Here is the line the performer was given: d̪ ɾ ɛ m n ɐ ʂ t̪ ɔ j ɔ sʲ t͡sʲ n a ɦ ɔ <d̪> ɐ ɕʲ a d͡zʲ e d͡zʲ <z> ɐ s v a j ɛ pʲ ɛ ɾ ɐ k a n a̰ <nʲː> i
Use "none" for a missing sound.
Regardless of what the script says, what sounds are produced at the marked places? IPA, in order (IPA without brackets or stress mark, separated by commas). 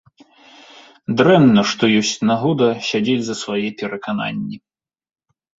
d̪, z, nʲː